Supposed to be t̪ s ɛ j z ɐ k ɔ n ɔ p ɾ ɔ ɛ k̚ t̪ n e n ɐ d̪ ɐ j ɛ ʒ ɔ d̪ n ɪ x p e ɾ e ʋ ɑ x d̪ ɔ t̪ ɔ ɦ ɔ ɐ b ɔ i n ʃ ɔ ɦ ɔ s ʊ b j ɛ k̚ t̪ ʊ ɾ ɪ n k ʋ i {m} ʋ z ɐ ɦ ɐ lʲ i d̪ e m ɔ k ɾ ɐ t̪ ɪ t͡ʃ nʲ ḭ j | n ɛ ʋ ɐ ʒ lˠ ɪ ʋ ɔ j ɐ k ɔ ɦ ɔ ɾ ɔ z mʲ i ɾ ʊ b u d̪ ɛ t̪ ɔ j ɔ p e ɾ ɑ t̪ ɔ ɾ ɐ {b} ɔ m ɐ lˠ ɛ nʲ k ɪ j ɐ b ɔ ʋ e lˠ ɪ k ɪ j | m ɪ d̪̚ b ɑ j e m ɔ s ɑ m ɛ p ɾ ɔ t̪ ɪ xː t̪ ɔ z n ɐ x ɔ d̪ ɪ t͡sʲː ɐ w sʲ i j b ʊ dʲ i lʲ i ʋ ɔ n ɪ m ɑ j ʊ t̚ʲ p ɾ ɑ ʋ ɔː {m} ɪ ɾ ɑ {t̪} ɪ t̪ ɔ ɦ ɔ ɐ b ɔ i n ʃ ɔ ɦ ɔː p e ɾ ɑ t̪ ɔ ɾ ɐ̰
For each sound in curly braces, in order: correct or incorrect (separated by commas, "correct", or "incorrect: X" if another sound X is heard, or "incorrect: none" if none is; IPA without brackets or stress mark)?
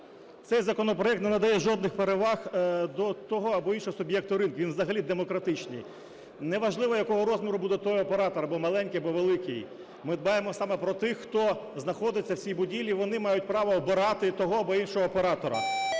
incorrect: n, correct, incorrect: b, correct